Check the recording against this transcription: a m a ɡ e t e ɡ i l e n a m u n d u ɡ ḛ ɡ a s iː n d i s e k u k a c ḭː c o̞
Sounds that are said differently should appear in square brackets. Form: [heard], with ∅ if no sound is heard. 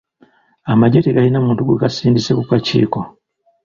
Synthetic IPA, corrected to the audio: a m a [ɟ] e t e ɡ [a] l [i] n a m [uː] n [t] u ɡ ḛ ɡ a s iː n d i s e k u k a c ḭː [k] o̞